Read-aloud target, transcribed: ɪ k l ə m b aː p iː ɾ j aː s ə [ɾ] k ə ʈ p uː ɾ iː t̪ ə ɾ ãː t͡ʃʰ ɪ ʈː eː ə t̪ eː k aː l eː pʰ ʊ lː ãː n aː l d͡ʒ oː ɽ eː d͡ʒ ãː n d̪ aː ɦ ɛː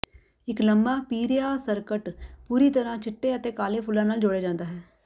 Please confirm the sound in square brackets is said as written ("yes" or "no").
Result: yes